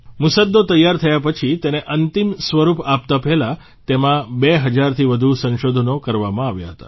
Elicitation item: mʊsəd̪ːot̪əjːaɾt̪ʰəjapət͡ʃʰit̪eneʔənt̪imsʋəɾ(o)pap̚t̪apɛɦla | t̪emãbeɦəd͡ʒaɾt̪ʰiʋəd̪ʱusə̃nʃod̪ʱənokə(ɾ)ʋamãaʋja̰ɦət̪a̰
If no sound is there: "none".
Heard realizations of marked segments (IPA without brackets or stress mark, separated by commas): u, ɾ